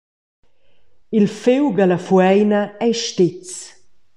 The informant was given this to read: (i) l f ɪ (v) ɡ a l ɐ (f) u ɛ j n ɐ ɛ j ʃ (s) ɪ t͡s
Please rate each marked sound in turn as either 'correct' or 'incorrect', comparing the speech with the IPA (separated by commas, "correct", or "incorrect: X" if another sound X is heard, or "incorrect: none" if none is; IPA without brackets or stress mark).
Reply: correct, incorrect: w, correct, incorrect: t